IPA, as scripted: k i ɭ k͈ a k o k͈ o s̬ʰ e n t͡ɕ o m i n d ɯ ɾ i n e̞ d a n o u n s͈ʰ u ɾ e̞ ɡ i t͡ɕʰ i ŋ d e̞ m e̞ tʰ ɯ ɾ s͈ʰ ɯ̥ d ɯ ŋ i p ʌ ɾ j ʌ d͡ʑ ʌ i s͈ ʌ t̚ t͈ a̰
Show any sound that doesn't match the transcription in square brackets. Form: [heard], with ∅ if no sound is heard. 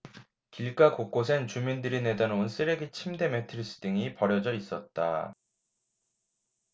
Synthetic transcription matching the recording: k i ɭ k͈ a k o k͈ o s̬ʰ e n t͡ɕ [u] m i n d ɯ ɾ i n e̞ d a n o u n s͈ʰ [ɯ] ɾ e̞ ɡ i t͡ɕʰ i [m] d e̞ m e̞ tʰ ɯ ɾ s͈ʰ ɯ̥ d ɯ ŋ i p ʌ ɾ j ʌ d͡ʑ ʌ i s͈ ʌ t̚ t͈ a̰